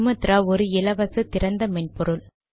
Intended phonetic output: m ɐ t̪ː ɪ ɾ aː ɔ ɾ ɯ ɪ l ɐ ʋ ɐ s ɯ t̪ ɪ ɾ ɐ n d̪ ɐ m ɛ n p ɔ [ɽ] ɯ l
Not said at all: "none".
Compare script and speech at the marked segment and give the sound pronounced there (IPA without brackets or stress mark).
ɾ